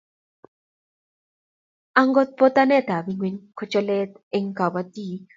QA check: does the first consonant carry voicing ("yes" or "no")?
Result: yes